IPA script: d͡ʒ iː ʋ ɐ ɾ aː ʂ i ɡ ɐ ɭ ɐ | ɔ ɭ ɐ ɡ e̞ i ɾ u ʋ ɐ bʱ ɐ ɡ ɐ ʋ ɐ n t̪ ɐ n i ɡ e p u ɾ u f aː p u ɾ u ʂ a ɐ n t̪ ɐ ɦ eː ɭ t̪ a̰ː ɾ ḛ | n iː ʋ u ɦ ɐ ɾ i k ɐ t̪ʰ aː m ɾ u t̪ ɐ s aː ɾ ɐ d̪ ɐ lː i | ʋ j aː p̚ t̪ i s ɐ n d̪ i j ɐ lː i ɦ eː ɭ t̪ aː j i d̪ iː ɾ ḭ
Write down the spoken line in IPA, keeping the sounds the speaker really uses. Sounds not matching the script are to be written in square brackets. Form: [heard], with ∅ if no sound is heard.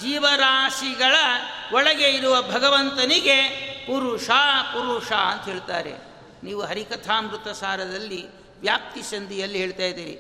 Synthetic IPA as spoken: d͡ʒ iː ʋ ɐ ɾ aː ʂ i ɡ ɐ ɭ ɐ | ɔ ɭ ɐ ɡ e̞ i ɾ u ʋ ɐ bʱ ɐ ɡ ɐ ʋ ɐ n t̪ ɐ n i ɡ e p u ɾ u [ʂ] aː p u ɾ u ʂ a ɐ n t̪ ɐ ɦ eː ɭ t̪ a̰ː ɾ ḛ | n iː ʋ u ɦ ɐ ɾ i k ɐ t̪ʰ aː m ɾ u t̪ ɐ s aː ɾ ɐ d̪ ɐ lː i | ʋ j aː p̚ t̪ i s ɐ n d̪ i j ɐ lː i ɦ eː ɭ t̪ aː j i d̪ iː ɾ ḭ